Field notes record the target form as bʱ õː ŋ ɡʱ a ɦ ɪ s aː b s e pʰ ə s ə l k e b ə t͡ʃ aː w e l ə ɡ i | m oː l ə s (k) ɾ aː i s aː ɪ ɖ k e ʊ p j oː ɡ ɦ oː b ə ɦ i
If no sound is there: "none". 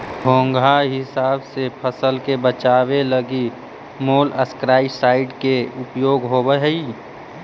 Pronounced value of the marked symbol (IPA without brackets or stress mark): k